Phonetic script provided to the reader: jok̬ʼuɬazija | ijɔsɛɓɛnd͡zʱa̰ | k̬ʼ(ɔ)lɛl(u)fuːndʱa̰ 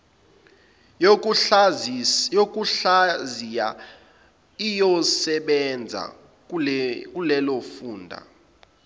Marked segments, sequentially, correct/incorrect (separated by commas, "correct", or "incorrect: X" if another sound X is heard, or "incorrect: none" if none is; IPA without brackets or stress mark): incorrect: u, incorrect: o